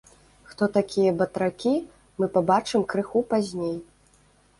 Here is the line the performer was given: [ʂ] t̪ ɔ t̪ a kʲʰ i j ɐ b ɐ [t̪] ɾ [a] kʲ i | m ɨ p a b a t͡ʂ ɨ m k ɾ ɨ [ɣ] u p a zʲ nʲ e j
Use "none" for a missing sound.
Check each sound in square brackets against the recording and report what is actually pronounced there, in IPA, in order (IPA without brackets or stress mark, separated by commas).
x, t̪, a, x